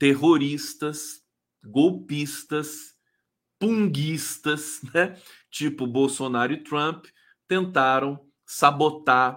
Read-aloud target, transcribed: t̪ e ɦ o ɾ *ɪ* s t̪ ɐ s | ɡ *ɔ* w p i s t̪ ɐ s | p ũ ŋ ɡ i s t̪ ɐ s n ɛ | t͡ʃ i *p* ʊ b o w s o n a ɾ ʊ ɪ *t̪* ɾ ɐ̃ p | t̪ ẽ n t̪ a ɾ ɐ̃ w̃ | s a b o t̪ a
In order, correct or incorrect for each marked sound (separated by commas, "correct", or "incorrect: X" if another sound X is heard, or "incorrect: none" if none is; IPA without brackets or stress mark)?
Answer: incorrect: i, incorrect: o, correct, correct